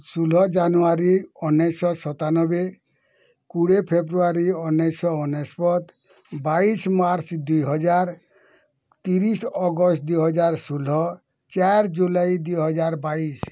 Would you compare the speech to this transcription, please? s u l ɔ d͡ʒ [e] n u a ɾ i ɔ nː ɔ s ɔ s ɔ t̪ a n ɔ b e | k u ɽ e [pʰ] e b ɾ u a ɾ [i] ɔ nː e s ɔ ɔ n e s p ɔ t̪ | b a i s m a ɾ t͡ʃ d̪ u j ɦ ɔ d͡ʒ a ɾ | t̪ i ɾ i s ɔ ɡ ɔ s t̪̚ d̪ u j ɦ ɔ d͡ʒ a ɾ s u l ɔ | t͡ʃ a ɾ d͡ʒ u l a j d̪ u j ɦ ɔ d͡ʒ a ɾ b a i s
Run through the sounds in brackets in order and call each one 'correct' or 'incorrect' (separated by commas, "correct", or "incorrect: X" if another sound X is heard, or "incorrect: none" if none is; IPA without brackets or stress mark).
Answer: incorrect: a, correct, correct